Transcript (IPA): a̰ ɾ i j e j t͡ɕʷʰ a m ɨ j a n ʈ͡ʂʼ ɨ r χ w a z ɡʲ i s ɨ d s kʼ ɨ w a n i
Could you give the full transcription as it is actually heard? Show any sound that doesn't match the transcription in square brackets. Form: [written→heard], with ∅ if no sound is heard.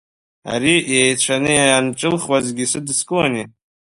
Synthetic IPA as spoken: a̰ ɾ i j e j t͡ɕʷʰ a [m→n] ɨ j a n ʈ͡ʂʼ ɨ [r→l] χ w a z ɡʲ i s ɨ d s kʼ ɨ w a n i